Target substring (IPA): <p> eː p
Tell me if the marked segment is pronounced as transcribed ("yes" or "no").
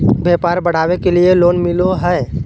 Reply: no